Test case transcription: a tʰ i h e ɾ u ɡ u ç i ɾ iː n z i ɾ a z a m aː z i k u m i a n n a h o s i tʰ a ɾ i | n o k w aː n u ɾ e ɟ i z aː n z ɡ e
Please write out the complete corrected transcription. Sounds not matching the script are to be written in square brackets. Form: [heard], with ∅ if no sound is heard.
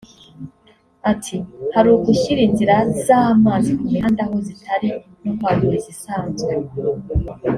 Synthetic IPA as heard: a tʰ i h [a] ɾ u ɡ u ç i ɾ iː n z i ɾ a z a m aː z i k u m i a n [d] a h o [z] i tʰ a ɾ i | n o k w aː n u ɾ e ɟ i [s] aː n z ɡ e